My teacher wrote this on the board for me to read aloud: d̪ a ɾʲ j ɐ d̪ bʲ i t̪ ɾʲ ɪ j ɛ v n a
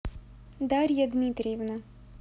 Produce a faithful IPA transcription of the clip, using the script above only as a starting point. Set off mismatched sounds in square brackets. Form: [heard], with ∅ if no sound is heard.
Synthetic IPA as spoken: d̪ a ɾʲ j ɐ d̪ [mʲ] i t̪ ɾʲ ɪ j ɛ v n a